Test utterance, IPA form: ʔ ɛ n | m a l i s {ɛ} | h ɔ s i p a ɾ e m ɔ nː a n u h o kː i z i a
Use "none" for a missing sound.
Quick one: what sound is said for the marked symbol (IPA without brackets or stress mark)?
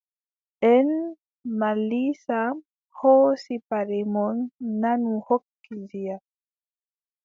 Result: a